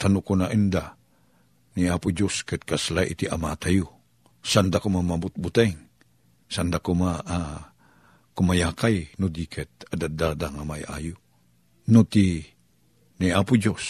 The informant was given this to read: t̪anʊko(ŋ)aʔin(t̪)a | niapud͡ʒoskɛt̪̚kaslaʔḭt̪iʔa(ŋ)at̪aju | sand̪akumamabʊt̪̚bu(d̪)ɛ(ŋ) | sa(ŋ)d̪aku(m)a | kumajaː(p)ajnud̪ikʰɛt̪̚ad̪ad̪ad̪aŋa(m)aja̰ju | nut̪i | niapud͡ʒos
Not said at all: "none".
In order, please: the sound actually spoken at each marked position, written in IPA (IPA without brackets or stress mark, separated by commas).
n, d̪, m, t̪, ŋ, n, m, k, m